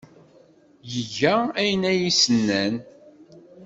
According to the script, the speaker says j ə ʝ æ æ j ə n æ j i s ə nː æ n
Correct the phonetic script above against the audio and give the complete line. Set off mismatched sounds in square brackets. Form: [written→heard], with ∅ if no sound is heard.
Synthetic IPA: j ə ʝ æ æ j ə n æ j i s ə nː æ n